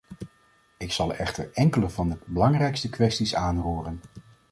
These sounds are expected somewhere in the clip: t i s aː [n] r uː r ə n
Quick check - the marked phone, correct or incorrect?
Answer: correct